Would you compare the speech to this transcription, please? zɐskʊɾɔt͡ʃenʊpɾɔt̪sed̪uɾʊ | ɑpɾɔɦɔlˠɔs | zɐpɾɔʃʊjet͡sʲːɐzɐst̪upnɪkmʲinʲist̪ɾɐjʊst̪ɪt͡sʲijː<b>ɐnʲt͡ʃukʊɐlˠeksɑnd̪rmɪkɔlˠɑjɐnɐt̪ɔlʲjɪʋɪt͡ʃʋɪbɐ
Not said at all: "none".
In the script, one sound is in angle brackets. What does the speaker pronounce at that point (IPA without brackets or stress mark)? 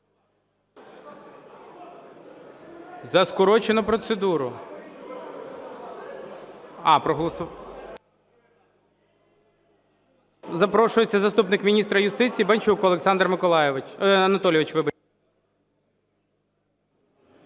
b